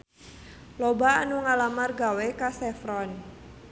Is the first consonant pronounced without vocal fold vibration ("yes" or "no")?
no